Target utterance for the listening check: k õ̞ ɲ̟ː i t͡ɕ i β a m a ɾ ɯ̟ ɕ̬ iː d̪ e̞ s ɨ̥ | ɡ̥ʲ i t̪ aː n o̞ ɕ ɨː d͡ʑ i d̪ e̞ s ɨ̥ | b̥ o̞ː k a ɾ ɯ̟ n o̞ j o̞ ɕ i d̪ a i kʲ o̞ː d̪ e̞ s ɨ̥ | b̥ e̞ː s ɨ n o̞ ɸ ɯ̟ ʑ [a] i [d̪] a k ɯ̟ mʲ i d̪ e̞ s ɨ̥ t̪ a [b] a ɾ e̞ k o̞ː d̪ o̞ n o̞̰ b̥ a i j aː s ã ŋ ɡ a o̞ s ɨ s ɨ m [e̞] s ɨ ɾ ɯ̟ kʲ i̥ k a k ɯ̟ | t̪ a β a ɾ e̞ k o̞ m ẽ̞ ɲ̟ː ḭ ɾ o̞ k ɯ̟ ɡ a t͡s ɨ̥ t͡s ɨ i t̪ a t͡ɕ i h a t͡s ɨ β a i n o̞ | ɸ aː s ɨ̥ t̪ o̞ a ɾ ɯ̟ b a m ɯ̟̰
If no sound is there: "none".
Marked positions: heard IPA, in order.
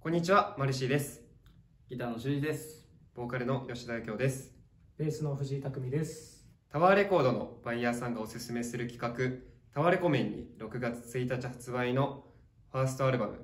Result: i, t̪, β, e̞

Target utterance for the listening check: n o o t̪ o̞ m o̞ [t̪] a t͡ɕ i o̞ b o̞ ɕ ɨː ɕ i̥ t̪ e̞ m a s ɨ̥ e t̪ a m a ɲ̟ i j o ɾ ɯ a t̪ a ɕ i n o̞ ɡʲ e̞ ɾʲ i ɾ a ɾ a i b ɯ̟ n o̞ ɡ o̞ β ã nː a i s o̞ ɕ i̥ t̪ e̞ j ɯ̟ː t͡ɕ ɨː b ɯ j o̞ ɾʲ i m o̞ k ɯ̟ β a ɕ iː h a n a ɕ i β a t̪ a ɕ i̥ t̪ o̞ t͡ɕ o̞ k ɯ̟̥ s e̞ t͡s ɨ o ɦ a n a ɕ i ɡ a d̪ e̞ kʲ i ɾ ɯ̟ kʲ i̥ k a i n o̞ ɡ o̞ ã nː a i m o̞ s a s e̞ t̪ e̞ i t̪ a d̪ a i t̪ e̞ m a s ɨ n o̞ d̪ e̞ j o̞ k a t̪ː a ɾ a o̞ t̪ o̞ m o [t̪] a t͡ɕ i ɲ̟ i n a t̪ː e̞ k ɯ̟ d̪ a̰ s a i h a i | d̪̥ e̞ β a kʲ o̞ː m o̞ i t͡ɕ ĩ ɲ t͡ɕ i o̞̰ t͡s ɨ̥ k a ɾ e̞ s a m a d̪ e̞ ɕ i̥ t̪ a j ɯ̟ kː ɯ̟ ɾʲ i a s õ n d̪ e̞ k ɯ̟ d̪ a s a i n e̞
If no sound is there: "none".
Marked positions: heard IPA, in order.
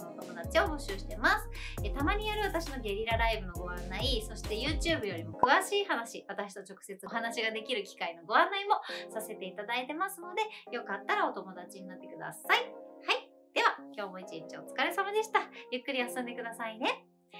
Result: d̪, d̪

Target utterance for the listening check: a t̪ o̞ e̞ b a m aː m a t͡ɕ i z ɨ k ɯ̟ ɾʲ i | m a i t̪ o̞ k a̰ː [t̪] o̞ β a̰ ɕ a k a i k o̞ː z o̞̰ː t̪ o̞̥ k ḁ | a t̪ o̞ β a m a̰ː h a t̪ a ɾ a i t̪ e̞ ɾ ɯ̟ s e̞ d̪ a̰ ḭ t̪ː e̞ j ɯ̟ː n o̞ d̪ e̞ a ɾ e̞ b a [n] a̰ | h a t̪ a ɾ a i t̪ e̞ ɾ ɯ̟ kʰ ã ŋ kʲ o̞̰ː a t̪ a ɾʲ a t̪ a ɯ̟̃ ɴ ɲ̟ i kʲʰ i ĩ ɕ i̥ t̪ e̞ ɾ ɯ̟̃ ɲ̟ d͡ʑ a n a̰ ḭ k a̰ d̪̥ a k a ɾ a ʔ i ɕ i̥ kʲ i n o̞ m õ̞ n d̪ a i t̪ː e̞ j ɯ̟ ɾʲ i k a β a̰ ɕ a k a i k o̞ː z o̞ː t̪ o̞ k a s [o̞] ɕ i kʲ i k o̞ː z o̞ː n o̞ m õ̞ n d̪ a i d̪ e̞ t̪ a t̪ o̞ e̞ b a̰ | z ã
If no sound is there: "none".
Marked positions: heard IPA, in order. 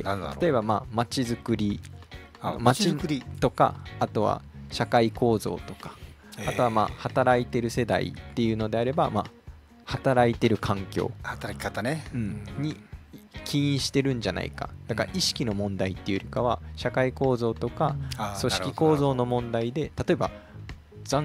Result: t̪, m, o̞

